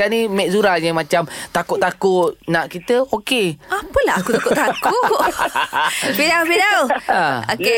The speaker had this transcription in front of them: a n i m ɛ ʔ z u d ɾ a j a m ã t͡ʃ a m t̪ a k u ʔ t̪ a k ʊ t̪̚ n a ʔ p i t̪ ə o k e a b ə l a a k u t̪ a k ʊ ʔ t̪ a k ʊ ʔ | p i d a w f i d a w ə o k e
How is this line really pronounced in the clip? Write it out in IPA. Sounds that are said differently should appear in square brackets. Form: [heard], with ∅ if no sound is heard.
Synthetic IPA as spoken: a n i m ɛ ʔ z u [∅] ɾ a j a m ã t͡ʃ a m t̪ a k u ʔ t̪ a k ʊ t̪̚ n a ʔ [k] i t̪ ə o k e a [p] ə l a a k u t̪ a k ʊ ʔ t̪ a k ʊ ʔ | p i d a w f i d a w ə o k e